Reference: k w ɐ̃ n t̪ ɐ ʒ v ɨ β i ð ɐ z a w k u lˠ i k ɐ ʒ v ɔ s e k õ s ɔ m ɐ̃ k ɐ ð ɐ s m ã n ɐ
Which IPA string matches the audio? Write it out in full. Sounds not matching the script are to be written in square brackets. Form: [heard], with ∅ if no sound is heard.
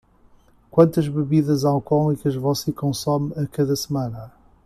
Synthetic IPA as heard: k w ɐ̃ n t̪ ɐ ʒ [β] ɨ β i ð ɐ z a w k [ɔ] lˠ i k ɐ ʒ v ɔ s e k õ s ɔ m [ɐ] k ɐ ð ɐ s m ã n ɐ